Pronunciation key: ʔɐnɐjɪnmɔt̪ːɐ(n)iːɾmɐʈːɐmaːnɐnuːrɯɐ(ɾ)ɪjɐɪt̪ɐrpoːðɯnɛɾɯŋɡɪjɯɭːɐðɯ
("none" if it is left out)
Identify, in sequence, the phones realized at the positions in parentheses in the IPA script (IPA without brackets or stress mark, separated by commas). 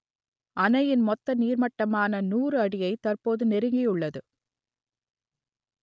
n, ɽ